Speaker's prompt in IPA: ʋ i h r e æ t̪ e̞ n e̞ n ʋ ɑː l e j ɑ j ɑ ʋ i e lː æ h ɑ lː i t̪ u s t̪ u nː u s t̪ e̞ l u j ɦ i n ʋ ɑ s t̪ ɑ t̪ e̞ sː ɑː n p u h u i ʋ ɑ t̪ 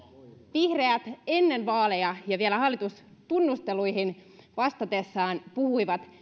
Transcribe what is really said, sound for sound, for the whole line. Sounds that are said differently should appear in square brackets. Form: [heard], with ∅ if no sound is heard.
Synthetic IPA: ʋ i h r e æ t̪ e̞ [nː] e̞ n ʋ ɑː l e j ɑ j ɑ ʋ i e [l] æ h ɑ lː i t̪ u s t̪ u nː u s t̪ e̞ l u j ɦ i n ʋ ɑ s t̪ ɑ t̪ e̞ sː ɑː n p u h u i ʋ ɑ t̪